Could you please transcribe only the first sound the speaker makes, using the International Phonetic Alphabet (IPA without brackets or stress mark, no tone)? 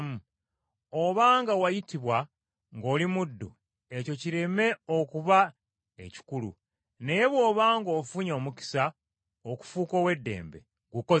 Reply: m